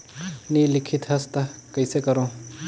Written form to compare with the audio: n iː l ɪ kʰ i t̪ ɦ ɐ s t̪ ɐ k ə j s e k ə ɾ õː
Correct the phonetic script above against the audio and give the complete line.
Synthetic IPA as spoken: n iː l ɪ kʰ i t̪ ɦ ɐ s t̪ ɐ k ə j s e k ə ɾ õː